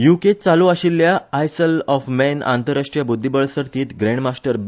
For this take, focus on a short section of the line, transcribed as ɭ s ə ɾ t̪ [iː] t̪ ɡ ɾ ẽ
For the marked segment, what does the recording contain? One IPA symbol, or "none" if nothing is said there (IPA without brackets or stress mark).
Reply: iː